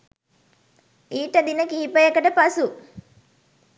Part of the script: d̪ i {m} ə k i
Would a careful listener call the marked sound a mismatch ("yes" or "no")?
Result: yes